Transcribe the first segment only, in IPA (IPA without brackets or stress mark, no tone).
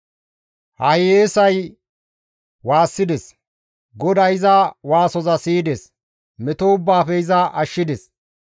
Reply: h